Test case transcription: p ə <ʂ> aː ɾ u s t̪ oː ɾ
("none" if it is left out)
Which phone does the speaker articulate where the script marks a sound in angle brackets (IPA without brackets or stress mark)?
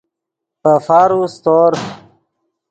f